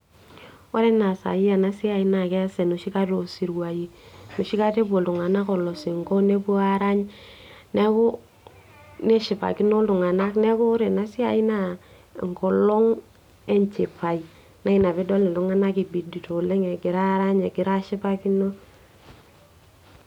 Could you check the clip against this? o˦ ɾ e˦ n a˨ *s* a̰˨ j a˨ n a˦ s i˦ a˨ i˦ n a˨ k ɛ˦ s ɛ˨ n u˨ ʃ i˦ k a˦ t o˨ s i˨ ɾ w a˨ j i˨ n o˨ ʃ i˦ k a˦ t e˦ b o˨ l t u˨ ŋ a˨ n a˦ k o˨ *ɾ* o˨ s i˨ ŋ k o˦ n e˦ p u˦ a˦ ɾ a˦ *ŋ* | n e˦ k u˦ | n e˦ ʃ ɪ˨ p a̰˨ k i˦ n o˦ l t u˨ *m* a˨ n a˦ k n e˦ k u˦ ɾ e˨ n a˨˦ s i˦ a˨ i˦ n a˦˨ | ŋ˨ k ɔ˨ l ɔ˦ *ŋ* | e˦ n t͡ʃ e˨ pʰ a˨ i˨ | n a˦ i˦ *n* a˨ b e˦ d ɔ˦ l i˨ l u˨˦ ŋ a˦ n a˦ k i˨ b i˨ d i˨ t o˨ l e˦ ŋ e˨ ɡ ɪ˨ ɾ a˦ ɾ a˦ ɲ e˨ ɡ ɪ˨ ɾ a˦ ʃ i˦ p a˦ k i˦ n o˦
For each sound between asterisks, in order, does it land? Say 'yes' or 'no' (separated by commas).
yes, no, no, no, yes, yes